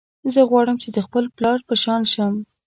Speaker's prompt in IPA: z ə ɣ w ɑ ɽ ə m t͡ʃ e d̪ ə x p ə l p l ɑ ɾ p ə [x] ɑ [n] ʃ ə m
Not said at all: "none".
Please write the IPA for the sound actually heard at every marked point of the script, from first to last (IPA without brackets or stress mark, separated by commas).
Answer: ʃ, n